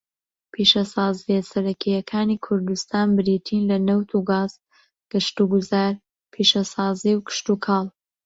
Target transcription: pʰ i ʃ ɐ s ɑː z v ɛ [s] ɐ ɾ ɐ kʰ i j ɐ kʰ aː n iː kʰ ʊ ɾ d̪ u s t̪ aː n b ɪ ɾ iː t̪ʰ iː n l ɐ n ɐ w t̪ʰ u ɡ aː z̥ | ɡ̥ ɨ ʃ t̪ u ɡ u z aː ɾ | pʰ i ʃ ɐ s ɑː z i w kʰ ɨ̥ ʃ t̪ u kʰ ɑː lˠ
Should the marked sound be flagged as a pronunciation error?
no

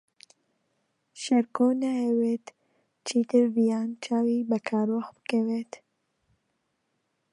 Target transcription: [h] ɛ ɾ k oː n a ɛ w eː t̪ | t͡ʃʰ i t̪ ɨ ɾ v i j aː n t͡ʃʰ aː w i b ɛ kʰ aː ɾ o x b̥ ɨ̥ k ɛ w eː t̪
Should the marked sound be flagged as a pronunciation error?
yes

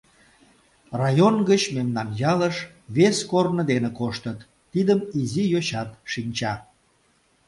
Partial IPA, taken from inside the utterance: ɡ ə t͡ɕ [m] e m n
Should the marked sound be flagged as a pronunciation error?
no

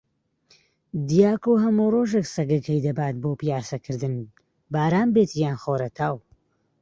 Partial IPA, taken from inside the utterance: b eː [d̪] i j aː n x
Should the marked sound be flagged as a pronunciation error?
yes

